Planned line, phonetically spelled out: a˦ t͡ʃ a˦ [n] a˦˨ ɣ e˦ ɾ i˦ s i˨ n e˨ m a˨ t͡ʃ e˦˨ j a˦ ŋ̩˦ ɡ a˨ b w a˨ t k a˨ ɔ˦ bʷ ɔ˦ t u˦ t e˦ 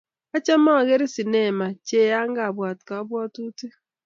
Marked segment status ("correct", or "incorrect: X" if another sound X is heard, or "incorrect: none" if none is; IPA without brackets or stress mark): incorrect: m